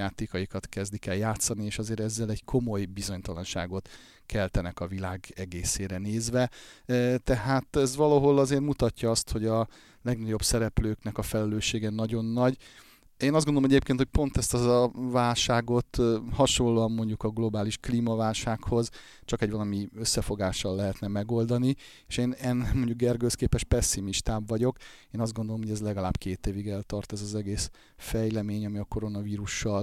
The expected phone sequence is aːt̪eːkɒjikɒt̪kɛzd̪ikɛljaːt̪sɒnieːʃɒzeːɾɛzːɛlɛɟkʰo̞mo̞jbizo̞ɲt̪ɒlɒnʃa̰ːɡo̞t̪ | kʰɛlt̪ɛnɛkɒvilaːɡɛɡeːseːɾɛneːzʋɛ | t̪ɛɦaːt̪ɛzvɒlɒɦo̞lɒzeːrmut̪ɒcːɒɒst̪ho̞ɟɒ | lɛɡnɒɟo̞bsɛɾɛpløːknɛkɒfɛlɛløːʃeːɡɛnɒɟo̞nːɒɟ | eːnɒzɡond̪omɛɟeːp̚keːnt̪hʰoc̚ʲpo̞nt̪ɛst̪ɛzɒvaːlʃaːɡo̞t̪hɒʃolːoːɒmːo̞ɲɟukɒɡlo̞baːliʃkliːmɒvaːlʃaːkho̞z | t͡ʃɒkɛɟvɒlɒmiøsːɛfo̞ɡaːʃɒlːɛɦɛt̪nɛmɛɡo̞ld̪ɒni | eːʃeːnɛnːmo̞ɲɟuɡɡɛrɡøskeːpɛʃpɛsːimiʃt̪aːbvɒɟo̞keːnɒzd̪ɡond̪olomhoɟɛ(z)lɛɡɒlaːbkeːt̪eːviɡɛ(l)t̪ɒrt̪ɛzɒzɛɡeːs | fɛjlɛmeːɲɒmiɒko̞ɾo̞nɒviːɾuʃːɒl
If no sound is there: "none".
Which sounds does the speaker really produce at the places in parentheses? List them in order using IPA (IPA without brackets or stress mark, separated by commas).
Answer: z, l